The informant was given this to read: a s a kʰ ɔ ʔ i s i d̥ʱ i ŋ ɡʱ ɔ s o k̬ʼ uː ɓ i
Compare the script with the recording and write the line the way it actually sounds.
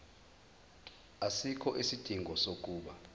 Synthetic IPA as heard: a s i kʰ ɔ ʔ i s i d̥ʱ i ŋ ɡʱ ɔ s o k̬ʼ uː ɓ a